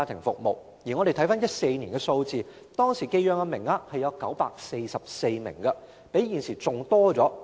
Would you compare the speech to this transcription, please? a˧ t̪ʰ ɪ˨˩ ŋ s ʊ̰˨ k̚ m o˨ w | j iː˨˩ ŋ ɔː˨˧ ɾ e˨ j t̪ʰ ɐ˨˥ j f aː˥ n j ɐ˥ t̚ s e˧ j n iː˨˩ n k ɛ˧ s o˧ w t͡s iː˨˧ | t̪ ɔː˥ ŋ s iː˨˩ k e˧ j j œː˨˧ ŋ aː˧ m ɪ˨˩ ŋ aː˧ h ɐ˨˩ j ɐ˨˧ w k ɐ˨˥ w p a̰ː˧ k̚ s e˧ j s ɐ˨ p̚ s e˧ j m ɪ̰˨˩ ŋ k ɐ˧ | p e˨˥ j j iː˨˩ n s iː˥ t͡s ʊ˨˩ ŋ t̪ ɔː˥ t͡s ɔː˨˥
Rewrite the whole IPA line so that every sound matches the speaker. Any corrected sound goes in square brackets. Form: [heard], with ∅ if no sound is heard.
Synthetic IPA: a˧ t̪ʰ ɪ˨˩ ŋ [f] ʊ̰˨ k̚ m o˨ w | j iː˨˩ ŋ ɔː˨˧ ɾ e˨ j t̪ʰ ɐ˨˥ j f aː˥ n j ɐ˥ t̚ s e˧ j n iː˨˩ n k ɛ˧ s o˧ w t͡s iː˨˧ | t̪ ɔː˥ ŋ s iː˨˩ k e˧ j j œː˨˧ ŋ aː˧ m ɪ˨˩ ŋ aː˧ h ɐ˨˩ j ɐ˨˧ w k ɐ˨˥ w p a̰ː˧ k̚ s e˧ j s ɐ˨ p̚ s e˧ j m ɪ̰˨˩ ŋ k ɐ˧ | p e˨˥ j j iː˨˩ n s [iː˨˩] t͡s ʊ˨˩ ŋ t̪ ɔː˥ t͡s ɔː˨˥

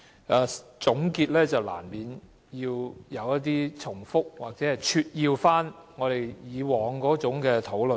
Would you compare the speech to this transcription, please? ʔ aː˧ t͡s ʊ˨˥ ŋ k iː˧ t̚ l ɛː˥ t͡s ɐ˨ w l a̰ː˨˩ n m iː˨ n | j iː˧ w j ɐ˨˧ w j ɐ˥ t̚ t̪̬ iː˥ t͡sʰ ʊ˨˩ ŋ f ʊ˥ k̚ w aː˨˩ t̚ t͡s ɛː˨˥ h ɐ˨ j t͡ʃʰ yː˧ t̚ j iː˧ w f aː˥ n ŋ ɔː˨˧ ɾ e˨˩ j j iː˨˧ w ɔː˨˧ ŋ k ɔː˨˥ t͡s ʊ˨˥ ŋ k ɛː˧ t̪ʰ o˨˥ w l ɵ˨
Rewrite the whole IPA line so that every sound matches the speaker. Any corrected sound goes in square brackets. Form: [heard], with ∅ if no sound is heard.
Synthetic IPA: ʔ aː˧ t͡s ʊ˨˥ ŋ k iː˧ t̚ l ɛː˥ t͡s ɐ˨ w l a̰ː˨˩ n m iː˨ n | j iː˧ w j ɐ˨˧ w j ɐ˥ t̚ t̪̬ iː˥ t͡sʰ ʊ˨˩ ŋ f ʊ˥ k̚ w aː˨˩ [k̚] t͡s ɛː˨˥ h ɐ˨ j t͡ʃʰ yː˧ t̚ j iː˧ w f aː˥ n ŋ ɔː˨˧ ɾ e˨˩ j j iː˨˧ w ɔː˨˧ ŋ k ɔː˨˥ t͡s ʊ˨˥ ŋ k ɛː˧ t̪ʰ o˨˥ w l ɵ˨

